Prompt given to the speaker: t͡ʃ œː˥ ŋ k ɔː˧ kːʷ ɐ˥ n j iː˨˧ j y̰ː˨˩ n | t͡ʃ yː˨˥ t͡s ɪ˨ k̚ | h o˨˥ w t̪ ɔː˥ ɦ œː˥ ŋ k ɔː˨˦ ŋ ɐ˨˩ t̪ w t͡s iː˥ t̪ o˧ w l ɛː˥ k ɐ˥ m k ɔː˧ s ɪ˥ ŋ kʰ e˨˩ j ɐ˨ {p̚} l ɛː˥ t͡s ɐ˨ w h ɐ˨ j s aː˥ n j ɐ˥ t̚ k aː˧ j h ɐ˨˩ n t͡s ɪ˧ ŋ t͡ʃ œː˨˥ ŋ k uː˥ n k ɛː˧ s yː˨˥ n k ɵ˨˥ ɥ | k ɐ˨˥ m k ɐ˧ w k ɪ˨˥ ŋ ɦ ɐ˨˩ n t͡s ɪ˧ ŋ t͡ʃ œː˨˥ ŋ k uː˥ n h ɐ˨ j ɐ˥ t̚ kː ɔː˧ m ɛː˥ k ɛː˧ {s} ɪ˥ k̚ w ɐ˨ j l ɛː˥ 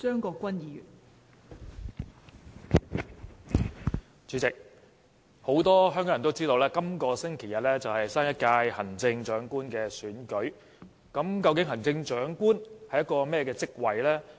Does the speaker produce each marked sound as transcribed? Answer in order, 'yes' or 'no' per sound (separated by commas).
no, no